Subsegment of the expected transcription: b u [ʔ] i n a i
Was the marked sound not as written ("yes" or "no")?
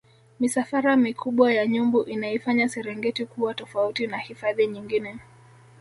no